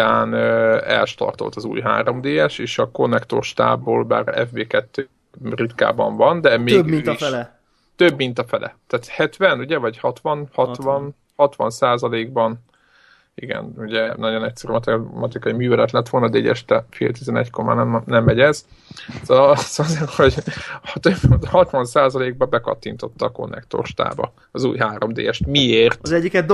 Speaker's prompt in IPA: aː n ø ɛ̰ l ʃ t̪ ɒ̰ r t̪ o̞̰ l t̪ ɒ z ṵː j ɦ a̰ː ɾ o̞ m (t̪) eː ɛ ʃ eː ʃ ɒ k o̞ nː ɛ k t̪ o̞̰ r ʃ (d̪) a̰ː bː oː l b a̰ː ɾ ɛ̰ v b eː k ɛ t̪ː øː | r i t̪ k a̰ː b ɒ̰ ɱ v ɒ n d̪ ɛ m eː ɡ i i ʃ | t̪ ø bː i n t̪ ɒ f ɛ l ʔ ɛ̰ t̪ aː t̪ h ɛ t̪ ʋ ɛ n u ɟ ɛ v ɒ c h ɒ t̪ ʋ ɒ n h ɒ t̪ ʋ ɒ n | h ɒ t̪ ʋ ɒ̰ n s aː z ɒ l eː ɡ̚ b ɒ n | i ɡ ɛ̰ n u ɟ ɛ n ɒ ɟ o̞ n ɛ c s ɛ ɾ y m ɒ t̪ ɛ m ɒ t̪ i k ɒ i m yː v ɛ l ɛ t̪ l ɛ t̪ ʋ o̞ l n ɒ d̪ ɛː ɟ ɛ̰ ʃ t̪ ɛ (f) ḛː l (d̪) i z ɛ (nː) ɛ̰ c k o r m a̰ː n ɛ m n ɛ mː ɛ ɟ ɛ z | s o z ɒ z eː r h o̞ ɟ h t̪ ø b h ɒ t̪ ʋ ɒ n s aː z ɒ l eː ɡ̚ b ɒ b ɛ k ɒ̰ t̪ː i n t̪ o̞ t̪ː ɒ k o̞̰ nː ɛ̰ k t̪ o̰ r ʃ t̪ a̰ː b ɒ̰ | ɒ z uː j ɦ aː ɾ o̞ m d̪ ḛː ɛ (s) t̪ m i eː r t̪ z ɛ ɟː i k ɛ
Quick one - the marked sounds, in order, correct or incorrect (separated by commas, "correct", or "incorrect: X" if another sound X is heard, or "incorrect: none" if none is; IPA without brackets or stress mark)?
incorrect: d̪, incorrect: t̪, correct, incorrect: t̪, incorrect: n, incorrect: ʃ